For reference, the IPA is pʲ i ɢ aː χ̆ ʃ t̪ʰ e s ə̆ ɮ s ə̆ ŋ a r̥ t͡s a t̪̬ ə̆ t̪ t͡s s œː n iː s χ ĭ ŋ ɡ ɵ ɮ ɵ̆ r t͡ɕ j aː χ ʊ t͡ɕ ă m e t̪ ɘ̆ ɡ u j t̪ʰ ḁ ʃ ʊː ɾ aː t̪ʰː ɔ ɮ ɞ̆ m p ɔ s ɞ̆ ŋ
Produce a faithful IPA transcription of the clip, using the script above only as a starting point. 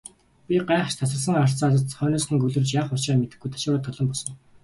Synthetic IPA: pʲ i ɢ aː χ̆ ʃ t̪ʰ a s ə̆ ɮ s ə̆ ŋ a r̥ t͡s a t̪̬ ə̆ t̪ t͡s χ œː n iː s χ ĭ ŋ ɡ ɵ ɮ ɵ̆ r t͡ɕ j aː χ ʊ t͡ɕ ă m e t̪ ɘ̆ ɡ u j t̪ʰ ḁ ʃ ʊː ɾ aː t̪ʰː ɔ ɮ ɞ̆ m p ɔ s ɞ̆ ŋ